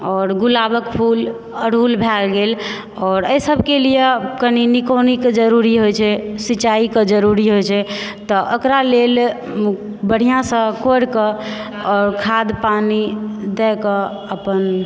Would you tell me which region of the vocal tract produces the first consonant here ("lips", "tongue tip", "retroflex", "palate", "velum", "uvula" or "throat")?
tongue tip